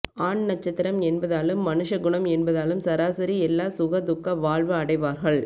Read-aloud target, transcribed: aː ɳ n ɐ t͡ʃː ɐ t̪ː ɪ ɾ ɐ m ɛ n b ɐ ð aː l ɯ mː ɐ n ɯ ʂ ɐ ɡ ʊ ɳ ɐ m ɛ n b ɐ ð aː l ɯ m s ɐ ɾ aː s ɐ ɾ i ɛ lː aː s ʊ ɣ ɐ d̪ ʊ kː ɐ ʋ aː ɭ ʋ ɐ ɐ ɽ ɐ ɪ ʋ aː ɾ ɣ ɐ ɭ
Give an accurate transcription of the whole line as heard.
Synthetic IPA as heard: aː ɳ n ɐ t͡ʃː ɐ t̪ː ɪ ɾ ɐ m ɛ n b ɐ ð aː l ɯ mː ɐ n ɯ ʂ ɐ ɡ ʊ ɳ ɐ m ɛ n b ɐ ð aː l ɯ m s ɐ ɾ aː s ɐ ɾ i ɛ lː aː s ʊ ɣ ɐ d̪ ʊ kː ɐ ʋ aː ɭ ʋ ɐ ɐ ɽ ɐ ɪ ʋ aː ɾ ɣ ɐ ɭ